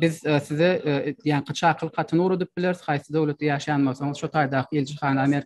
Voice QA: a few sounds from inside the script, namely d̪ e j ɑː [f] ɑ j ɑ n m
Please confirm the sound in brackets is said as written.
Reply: no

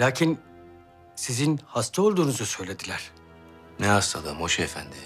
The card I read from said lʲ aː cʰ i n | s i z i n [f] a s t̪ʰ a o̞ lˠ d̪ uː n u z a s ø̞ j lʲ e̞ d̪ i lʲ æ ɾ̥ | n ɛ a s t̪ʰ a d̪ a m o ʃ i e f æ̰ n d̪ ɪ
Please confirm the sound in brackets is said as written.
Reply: no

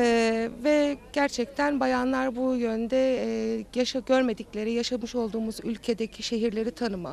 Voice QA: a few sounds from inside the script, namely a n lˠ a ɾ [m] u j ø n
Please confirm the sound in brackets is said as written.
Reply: no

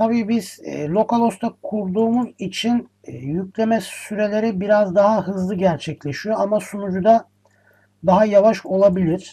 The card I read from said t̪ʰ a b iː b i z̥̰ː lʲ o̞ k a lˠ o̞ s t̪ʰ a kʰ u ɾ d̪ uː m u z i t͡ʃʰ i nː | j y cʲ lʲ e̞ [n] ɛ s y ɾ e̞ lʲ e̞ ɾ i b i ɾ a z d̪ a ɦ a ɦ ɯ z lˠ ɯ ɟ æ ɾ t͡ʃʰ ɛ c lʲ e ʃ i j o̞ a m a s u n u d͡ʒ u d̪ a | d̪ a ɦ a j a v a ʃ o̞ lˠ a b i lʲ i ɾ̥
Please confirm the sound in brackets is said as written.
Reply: no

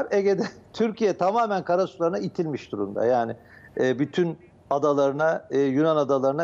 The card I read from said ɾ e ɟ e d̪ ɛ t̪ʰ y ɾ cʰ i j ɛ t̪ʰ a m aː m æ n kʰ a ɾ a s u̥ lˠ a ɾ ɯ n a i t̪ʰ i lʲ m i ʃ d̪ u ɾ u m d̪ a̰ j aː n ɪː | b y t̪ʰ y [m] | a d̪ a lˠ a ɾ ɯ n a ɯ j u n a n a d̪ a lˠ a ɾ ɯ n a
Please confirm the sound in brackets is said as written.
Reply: no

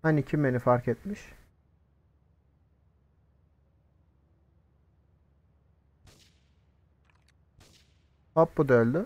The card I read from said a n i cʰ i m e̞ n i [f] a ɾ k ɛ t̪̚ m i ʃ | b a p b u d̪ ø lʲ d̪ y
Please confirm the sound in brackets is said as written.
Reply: yes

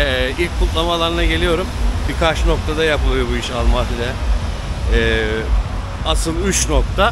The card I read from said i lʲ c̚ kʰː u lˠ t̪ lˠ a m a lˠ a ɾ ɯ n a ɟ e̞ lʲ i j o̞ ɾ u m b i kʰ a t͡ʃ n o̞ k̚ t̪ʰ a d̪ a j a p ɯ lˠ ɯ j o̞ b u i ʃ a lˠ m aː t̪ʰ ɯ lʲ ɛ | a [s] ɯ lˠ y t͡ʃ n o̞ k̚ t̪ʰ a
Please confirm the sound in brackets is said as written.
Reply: yes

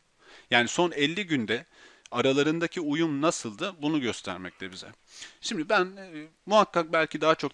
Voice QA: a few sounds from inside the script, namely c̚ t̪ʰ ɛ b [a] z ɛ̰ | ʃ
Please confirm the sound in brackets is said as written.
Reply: no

